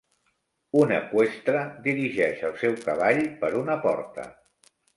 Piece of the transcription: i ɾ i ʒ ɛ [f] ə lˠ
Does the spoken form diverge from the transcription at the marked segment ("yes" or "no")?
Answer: yes